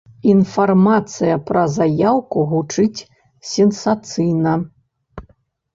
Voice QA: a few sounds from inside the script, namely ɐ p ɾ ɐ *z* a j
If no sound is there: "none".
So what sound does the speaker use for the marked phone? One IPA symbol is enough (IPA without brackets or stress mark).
z